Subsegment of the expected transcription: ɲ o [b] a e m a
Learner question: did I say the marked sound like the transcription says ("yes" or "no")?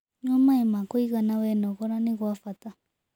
no